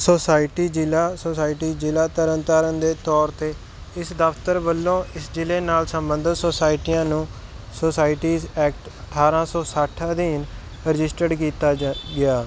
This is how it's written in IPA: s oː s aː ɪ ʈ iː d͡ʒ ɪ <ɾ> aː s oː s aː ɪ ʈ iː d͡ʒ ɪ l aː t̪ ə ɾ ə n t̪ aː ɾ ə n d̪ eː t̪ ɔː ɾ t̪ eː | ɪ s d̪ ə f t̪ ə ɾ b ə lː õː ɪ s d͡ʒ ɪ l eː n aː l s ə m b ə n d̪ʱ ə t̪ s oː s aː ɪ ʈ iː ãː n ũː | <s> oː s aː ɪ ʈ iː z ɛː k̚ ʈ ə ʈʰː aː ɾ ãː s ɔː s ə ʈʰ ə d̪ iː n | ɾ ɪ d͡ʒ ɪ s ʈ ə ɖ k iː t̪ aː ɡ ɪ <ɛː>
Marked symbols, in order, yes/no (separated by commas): no, yes, no